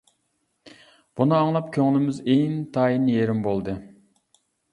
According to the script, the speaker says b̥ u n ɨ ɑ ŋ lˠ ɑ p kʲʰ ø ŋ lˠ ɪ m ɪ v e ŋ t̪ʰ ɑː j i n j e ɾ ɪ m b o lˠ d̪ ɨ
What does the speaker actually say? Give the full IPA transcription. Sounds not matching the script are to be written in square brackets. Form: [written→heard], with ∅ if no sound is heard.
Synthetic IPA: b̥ u n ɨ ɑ ŋ lˠ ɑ p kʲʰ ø ŋ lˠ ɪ m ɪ [v→z] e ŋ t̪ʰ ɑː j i n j e ɾ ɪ m b o lˠ d̪ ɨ